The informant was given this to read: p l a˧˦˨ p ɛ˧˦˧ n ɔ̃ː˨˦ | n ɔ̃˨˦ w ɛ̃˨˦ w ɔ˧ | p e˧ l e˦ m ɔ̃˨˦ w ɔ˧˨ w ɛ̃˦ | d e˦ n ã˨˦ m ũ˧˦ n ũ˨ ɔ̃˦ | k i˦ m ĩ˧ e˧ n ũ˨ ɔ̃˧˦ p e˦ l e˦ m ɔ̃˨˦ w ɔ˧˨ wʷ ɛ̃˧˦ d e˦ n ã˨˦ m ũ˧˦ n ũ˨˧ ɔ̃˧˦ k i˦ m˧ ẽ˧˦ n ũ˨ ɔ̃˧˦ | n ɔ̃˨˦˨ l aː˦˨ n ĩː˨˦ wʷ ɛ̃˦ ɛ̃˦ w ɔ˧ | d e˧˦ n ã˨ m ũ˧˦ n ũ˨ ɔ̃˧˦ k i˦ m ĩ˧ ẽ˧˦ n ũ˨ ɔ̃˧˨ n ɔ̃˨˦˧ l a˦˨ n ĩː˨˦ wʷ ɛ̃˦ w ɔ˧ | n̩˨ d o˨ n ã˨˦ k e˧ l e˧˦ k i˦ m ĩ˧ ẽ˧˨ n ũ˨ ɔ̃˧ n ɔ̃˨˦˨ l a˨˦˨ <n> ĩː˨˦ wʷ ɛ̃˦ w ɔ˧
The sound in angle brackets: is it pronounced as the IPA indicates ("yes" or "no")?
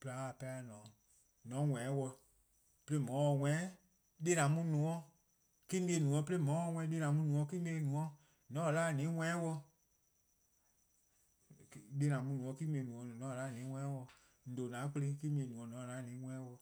yes